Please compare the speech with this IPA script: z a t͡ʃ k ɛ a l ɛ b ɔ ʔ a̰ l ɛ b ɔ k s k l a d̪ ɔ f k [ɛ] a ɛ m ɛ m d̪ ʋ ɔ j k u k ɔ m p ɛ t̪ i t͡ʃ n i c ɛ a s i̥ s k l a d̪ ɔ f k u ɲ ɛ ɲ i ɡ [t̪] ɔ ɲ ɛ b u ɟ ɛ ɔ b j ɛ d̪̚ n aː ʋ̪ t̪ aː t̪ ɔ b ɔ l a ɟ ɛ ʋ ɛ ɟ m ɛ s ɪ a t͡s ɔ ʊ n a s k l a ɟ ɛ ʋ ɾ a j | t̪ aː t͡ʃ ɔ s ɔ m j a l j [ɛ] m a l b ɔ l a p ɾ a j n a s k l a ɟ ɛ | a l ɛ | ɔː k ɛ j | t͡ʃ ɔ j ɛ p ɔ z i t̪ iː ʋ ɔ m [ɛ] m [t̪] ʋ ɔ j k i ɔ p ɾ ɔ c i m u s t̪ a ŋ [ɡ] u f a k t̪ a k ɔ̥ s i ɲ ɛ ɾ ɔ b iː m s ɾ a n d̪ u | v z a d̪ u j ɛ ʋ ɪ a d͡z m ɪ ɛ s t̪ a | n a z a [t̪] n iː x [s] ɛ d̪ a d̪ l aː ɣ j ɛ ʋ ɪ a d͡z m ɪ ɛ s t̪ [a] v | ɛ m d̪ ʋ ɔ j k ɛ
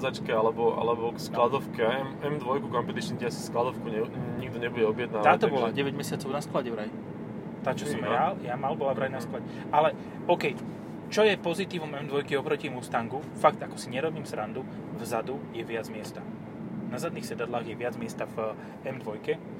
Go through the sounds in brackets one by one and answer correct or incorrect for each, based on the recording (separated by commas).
correct, incorrect, incorrect, correct, incorrect, correct, incorrect, correct, correct